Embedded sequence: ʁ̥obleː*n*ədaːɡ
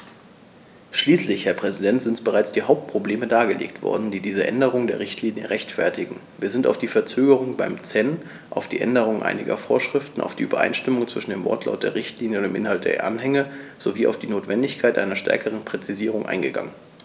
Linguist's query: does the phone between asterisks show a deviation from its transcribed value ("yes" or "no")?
yes